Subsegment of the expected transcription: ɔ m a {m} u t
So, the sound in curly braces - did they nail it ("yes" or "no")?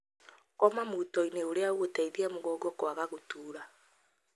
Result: yes